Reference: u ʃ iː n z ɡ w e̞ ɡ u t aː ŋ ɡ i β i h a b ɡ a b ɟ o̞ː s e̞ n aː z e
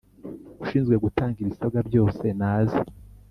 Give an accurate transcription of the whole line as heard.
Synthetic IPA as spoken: u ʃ iː n z ɡ w e̞ ɡ u t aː ŋ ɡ i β i s a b ɡ a b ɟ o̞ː s e̞ n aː z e